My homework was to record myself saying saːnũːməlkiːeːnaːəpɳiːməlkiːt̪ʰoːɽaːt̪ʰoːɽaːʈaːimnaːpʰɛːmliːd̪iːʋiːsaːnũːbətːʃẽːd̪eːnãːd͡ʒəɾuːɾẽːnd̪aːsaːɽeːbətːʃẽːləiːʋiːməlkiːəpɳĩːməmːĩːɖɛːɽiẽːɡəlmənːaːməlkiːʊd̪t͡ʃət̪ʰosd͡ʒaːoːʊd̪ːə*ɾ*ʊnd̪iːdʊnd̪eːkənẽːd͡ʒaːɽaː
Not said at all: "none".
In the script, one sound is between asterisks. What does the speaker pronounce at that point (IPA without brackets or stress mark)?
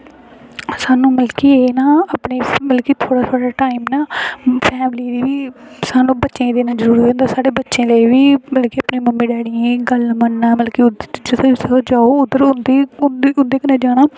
ɾ